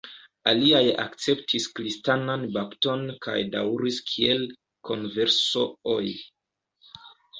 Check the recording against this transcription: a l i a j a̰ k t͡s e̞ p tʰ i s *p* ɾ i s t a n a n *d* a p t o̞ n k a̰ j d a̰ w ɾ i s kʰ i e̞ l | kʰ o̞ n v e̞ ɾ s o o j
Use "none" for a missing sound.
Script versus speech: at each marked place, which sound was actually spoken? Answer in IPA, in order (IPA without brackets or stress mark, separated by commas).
k, b